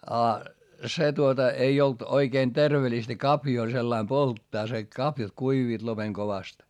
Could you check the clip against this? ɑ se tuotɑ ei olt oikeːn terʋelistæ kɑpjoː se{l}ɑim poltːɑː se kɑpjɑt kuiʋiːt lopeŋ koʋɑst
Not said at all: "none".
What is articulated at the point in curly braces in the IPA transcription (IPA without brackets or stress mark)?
lː